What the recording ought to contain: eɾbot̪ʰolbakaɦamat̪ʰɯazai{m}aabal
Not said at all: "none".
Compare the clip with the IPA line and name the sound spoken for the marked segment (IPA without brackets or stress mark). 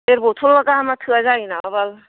n